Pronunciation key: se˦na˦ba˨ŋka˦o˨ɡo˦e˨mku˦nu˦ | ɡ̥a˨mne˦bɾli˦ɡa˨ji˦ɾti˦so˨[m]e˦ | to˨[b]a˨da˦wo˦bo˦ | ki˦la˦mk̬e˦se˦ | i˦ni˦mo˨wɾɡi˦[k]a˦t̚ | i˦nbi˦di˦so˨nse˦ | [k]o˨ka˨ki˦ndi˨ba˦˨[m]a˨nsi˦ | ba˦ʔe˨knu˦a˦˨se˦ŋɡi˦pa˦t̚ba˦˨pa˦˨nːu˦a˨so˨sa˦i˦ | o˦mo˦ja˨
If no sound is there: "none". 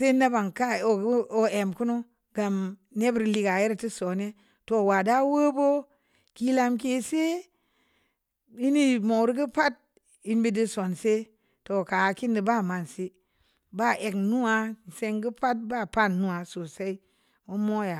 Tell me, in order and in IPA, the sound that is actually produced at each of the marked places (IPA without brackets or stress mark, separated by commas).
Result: n, w, p, t, m